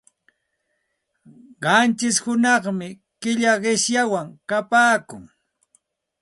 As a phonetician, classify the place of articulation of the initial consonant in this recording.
uvular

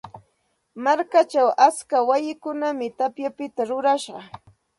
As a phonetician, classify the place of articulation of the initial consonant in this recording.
labial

